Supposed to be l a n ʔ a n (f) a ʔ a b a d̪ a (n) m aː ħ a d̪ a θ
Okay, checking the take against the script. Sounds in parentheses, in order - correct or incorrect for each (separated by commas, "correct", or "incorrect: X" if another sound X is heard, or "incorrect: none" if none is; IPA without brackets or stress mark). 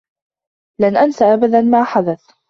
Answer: incorrect: s, correct